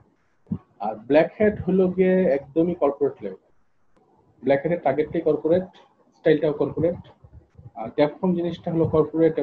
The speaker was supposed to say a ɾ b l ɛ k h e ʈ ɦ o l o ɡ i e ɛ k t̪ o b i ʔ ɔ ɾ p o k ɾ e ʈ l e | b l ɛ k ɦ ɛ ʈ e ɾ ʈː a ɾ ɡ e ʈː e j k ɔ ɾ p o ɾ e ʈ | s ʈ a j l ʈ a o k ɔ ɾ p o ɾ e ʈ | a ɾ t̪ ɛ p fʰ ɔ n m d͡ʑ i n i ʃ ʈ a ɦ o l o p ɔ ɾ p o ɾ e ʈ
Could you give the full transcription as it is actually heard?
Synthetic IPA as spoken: a ɾ b l ɛ k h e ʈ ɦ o l o ɡ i e ɛ k d̪ o m i k ɔ ɾ p o ɾ e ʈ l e | b l ɛ k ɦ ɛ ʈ e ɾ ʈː a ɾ ɡ e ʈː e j k ɔ ɾ p o ɾ e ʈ | s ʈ a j l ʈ a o k ɔ ɾ p o ɾ e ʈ | a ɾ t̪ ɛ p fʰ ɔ m d͡ʑ i n i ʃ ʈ a ɦ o l o k ɔ ɾ p o ɾ e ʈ